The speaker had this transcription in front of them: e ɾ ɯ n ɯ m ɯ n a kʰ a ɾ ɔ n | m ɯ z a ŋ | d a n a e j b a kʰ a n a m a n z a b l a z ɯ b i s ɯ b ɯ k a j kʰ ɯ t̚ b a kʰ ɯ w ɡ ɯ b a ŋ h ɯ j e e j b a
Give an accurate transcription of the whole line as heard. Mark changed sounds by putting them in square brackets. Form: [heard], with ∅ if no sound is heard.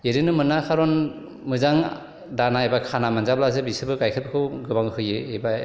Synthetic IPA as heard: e ɾ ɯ n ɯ m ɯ n a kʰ a ɾ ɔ n | m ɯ z a ŋ | d a n a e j b a kʰ a n a m a n z a b l a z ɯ b i s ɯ b ɯ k a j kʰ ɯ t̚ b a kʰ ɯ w ɡ ɯ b a ŋ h ɯ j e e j b a